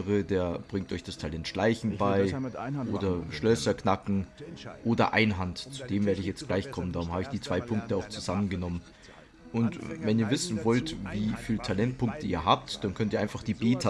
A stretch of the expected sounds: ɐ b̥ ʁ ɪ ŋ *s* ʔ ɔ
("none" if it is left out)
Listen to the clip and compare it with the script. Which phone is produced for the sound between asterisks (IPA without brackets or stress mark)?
t